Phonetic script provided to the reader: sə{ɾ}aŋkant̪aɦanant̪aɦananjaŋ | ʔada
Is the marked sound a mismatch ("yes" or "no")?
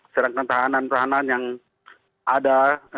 no